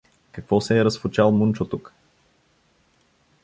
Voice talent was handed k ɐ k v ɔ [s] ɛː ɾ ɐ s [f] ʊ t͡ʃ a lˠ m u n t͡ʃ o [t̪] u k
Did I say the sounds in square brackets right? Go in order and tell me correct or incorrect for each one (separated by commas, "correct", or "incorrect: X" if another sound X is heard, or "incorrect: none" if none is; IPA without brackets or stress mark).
correct, correct, correct